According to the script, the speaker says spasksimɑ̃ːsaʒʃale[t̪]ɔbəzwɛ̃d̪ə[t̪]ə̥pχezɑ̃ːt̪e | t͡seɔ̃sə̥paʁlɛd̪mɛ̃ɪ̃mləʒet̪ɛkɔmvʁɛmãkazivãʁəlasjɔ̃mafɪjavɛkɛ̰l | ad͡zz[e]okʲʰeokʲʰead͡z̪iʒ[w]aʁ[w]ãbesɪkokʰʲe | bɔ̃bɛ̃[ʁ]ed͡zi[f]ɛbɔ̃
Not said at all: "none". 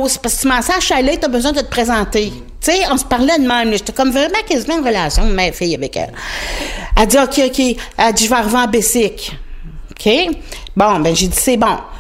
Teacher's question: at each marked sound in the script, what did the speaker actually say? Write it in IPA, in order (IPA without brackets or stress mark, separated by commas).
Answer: t̪, t̪, i, v, v, ʒ, s